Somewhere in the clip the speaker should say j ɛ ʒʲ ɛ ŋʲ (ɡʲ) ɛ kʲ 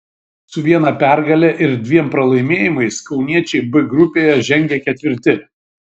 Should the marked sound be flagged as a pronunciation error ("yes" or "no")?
no